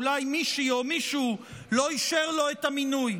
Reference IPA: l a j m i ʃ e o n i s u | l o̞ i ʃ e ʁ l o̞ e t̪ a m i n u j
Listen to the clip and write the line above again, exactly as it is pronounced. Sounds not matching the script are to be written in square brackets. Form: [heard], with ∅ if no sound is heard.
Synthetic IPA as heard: l a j m i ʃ [i] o [m] i [ʃ] u | l o̞ i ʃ e ʁ l o̞ e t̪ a m i n u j